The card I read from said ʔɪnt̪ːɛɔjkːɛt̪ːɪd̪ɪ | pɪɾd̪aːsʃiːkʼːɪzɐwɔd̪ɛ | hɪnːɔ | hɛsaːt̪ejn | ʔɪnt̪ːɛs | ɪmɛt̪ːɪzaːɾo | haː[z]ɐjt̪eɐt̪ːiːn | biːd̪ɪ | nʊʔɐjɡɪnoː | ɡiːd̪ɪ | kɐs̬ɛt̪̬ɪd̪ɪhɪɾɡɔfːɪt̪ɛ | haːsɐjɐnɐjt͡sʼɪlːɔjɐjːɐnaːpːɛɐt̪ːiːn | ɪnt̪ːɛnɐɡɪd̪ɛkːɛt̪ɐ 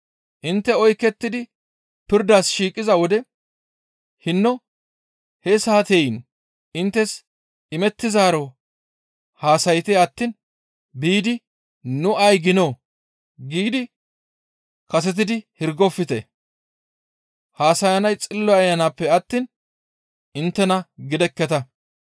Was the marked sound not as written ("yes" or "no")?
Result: yes